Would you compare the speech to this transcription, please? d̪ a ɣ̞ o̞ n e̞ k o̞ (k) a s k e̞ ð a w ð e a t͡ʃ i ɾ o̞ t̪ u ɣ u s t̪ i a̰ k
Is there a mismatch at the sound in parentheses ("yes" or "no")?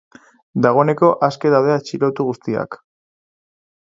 yes